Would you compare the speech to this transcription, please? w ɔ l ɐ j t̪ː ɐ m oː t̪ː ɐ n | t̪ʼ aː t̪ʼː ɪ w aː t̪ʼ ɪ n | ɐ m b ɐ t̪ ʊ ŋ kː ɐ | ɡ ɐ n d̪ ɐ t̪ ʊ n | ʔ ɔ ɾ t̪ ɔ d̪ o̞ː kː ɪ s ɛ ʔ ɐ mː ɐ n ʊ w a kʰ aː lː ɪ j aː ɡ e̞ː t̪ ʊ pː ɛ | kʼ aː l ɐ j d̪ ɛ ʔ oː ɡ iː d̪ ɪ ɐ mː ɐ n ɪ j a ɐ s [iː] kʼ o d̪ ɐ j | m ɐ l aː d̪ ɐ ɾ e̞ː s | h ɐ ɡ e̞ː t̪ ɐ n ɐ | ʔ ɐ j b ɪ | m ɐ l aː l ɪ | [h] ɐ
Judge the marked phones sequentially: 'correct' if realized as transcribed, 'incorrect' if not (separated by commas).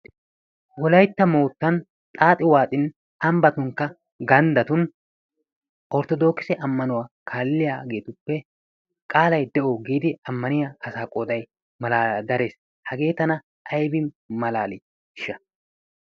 incorrect, incorrect